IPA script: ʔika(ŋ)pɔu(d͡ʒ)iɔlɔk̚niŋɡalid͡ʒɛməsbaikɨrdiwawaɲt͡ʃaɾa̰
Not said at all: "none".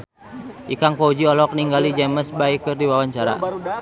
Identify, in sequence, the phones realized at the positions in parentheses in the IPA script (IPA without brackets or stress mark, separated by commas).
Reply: ŋ, d͡ʒ